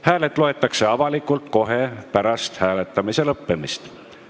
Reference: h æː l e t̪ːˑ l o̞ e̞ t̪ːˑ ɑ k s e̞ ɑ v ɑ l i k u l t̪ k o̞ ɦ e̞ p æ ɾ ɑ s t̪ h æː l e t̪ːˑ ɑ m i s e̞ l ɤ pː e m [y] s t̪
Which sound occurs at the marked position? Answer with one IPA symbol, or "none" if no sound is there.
i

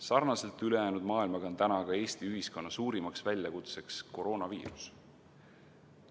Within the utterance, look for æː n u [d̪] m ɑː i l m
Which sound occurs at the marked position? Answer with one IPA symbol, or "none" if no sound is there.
d̪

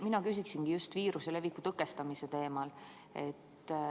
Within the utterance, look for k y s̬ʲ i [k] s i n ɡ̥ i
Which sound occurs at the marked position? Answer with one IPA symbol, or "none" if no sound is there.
k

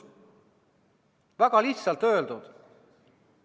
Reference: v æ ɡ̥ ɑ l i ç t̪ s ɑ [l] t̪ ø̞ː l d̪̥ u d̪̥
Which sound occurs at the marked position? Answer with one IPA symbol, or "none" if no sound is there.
l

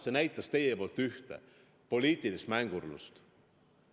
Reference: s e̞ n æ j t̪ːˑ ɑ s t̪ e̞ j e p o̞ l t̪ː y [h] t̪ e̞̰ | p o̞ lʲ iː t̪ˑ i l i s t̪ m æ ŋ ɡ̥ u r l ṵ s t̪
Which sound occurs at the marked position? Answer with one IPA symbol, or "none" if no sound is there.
h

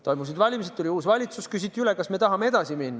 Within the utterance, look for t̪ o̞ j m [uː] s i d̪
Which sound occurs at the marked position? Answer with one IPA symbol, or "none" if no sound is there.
u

